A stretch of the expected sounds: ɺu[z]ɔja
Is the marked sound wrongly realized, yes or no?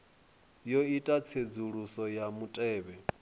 yes